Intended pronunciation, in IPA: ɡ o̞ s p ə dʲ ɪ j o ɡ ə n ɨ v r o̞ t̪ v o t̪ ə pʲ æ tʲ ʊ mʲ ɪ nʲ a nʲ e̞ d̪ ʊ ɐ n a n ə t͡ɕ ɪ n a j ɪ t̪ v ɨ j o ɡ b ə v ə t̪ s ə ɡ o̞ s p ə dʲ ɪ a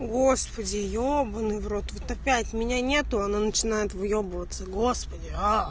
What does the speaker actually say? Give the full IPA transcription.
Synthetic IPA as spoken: ɡ o̞ s p ə dʲ ɪ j o b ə n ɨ v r o̞ t̪ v o t̪ ɐ pʲ æ tʲ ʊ mʲ ɪ nʲ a nʲ e̞ t̪ ʊ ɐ n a n ə t͡ɕ ɪ n a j ɪ t̪ v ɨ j o b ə v ə t̪ s ə ɡ o̞ s p ə dʲ ɪ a